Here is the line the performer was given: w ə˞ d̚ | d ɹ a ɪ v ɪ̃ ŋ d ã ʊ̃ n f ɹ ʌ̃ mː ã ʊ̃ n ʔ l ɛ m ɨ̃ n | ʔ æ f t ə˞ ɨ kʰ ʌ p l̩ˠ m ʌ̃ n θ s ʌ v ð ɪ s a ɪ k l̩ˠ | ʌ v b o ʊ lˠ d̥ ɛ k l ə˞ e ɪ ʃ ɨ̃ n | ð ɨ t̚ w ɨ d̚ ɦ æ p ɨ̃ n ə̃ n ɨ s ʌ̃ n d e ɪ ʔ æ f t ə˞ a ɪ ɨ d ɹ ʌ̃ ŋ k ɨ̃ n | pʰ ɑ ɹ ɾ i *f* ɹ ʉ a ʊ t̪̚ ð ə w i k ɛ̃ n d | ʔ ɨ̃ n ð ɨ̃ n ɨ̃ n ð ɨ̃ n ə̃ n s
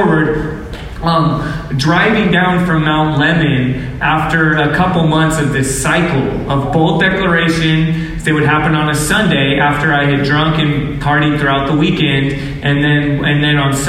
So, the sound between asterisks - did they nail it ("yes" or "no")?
no